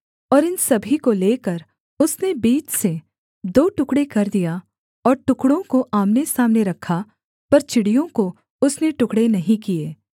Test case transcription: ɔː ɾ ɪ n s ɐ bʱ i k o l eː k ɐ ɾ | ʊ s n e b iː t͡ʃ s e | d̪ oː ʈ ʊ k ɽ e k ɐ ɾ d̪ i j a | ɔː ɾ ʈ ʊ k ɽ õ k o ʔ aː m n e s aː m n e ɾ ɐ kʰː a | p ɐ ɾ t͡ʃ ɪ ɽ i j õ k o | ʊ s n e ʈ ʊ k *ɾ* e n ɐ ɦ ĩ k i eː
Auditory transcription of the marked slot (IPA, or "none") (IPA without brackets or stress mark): ɽ